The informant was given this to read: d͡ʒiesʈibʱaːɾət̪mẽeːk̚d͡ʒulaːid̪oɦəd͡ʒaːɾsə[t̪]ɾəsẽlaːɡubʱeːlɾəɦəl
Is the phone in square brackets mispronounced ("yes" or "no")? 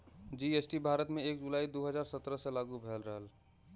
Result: no